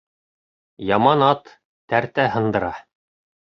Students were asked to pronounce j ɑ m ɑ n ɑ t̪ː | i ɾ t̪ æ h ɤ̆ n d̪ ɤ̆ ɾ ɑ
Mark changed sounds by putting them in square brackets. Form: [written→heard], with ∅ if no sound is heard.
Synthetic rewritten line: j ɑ m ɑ n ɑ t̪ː | [i→æ] ɾ t̪ æ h ɤ̆ n d̪ ɤ̆ ɾ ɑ